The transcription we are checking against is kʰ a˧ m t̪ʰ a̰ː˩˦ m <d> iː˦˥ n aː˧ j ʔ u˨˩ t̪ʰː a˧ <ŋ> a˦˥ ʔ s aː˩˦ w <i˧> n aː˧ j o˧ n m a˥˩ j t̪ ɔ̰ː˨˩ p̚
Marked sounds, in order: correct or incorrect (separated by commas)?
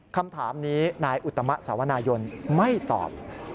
incorrect, incorrect, incorrect